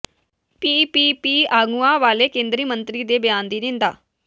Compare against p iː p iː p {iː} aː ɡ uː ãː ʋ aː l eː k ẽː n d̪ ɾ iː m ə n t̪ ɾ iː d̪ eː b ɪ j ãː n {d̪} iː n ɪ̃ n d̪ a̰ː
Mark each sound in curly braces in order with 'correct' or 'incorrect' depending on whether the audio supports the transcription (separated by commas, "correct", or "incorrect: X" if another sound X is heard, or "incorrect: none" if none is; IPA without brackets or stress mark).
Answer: correct, correct